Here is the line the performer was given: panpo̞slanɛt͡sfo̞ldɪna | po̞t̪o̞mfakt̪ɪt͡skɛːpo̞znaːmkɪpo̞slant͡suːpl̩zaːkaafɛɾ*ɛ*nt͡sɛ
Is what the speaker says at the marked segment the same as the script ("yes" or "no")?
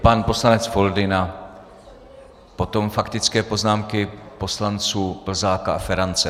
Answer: no